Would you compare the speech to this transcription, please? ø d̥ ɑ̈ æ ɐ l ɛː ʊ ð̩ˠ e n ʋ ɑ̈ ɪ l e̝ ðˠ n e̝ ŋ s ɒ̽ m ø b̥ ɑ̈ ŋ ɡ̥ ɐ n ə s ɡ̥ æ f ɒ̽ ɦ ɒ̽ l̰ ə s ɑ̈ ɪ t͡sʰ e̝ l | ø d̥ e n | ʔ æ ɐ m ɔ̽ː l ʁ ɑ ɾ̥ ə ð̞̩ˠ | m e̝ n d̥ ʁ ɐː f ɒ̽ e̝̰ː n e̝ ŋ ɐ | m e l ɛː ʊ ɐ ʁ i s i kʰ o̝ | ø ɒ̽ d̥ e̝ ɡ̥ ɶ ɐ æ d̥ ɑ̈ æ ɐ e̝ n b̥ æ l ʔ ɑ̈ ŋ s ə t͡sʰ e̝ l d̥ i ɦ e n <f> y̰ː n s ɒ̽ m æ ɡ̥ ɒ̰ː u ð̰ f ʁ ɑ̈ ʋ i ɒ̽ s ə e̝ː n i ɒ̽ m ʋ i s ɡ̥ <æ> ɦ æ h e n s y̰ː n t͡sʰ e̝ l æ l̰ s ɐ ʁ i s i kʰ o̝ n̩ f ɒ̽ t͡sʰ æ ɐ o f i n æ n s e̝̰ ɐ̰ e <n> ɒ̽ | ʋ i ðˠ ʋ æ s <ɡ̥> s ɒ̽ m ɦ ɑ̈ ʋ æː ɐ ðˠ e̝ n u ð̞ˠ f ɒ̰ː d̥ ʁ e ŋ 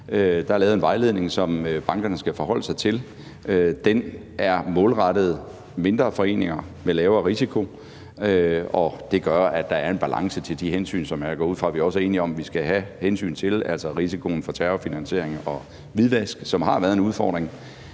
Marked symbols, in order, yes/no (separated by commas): no, yes, no, yes